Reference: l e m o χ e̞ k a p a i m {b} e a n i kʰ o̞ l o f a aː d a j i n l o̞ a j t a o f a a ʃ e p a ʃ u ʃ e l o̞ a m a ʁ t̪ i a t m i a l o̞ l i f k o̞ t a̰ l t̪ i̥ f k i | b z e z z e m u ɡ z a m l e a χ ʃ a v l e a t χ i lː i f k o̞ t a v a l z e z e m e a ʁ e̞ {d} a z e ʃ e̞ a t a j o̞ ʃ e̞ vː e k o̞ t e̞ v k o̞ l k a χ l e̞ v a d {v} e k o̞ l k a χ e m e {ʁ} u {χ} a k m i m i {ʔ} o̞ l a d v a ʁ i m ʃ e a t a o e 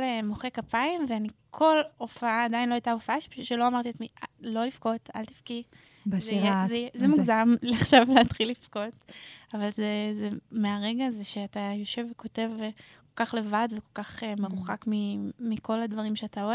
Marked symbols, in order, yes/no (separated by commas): no, no, yes, yes, yes, no